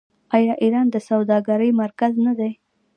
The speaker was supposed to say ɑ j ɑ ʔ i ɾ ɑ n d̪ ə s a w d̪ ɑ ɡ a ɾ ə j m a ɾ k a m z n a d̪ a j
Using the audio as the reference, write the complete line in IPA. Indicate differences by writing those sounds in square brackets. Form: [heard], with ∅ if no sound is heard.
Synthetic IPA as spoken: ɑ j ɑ ʔ i ɾ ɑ n d̪ ə s a w d̪ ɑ ɡ a ɾ ə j m a ɾ k a [∅] z n a d̪ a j